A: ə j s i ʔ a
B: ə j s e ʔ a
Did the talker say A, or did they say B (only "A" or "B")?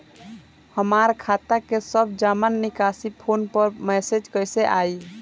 B